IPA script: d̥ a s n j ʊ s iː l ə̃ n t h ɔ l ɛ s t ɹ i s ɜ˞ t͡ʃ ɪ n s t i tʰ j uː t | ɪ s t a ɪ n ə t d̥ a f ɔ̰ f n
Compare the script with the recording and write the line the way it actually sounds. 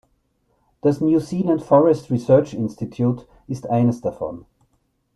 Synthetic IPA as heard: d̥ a s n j u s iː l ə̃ n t f ɔ ɹ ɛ s t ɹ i s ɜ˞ t͡ʃ ɪ n s t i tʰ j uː t | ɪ s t a ɪ n ə s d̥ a f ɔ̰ n

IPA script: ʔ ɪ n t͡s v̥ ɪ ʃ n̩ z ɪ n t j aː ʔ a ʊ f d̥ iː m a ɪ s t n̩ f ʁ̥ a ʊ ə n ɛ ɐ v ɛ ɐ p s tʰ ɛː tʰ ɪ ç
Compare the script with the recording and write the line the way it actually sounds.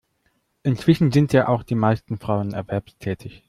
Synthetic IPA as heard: ʔ ɪ n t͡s v̥ ɪ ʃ n̩ z ɪ n t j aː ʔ a ʊ x d̥ iː m a ɪ s t n̩ f ʁ̥ a ʊ ə n ɛ ɐ v ɛ ɐ p s tʰ ɛː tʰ ɪ ç

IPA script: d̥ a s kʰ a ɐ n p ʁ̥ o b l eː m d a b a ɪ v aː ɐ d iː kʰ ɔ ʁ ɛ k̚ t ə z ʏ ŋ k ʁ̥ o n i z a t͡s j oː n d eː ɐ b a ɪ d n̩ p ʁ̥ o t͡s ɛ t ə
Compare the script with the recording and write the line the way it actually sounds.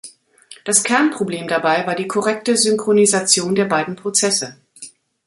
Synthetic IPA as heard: d̥ a s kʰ ɛ ɐ n p ʁ̥ o b l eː m d a b a ɪ v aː ɐ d iː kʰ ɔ ʁ ɛ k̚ t ə z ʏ ŋ k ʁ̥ o n i z a t͡s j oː n d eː ɐ b a ɪ d n̩ p ʁ̥ o t͡s ɛ s ə

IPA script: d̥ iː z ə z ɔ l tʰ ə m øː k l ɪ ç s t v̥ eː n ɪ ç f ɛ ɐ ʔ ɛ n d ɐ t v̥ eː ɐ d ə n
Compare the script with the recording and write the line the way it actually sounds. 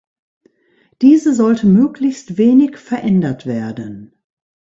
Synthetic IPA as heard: d̥ iː z ə z ɔ l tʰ ə m øː k l ɪ ç s t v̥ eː n ɪ ç f ɛ ɐ ʔ ɛ n d ɐ t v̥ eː ɐ d ə n

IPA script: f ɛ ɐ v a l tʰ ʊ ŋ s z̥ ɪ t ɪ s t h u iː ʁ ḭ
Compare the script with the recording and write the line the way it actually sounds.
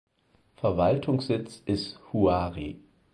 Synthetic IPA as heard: f ɛ ɐ v a l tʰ ʊ ŋ s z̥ ɪ t͡s ɪ s t h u aː ʁ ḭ

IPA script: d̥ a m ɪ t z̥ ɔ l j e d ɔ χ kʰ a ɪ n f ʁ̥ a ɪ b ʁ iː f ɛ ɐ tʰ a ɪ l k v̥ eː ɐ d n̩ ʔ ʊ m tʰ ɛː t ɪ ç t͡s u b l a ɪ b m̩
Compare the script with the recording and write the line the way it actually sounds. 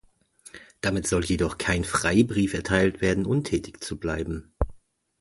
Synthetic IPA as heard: d̥ a m ɪ t z̥ ɔ l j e d ɔ χ kʰ a ɪ n f ʁ̥ a ɪ b ʁ iː f ɛ ɐ tʰ a ɪ l t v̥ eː ɐ d n̩ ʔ ʊ n tʰ ɛː t ɪ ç t͡s u b l a ɪ b m̩

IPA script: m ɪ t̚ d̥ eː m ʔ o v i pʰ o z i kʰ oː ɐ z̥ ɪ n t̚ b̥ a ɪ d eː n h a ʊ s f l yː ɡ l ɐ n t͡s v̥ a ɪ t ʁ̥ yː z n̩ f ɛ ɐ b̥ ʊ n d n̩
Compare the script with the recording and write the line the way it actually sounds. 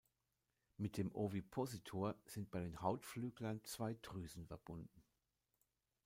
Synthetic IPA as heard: m ɪ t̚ d̥ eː m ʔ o v i pʰ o z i tʰ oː ɐ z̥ ɪ n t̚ b̥ a ɪ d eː n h a ʊ t f l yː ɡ l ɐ n t͡s v̥ a ɪ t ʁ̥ yː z n̩ f ɛ ɐ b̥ ʊ n d n̩

